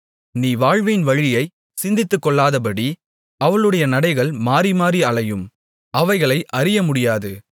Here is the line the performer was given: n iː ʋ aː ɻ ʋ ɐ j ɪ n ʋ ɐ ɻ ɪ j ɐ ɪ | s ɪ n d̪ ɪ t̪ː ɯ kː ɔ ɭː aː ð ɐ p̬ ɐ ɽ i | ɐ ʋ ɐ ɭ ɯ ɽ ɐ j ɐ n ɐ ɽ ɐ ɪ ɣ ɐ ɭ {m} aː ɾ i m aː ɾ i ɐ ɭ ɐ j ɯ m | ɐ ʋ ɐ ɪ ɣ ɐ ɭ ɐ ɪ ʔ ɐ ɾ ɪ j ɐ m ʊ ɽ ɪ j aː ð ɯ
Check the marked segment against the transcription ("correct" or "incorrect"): correct